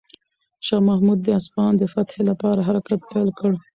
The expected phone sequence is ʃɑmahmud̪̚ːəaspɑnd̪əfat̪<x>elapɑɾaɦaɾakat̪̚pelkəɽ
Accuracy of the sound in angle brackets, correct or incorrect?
incorrect